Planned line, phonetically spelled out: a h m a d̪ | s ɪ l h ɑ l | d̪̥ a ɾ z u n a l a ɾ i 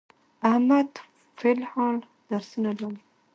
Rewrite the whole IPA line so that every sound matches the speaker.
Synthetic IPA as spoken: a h m a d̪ | f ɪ l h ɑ l | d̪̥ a ɾ s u n a l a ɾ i

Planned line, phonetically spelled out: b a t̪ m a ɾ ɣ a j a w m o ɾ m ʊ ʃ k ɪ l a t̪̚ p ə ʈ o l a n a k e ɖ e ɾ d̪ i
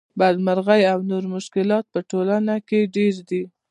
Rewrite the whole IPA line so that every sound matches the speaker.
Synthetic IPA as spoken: b a d̪ m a ɾ ɣ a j a w n o ɾ m ʊ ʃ k ɪ l ɑ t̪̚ p ə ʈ o l a n a k e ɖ e ɾ d̪ i

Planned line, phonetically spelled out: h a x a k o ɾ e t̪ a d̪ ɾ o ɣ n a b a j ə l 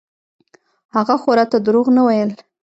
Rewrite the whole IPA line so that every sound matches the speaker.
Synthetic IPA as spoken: h a ɣ a x o ɾ a t̪ a d̪ ɾ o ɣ n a w a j ə l

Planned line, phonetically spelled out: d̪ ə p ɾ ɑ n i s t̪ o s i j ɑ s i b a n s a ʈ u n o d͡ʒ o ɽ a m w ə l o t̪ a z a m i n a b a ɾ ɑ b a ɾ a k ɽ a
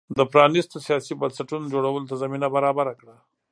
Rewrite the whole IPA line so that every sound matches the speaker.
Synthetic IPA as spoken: d̪ ə p ɾ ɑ n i s t̪ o s i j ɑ s i b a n s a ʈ u n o d͡ʒ o ɽ a w ə l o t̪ a z a m i n a b a ɾ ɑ b a ɾ a k ɽ a

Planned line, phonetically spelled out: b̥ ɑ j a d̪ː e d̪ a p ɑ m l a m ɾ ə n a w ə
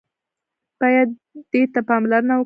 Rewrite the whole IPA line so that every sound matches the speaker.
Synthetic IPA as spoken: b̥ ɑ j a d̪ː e t̪ a p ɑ m l a ɾ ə n a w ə

